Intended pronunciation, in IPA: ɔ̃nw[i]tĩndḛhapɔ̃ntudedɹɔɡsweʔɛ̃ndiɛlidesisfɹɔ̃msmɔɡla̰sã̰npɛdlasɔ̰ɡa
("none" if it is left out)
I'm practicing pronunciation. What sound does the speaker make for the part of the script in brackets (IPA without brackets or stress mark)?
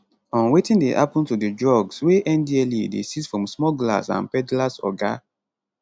e